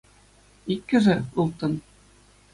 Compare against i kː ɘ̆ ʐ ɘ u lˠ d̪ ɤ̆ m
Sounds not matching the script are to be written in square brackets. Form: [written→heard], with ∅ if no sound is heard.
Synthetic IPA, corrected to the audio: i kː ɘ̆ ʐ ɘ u lˠ [d̪→t̪] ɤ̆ [m→n]